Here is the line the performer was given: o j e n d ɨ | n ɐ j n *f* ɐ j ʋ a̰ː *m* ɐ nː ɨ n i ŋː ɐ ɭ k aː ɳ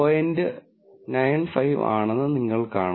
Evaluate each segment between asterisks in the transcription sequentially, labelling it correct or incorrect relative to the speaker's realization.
correct, incorrect: ɳ

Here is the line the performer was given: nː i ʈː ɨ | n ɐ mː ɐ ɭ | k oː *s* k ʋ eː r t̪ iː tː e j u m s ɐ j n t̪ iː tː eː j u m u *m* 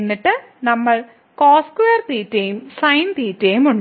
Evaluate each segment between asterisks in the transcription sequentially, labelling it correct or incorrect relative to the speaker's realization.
correct, incorrect: ɳ

